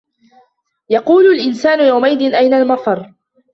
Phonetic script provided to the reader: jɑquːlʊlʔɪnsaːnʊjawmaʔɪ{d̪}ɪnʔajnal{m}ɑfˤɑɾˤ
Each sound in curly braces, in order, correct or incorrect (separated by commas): correct, correct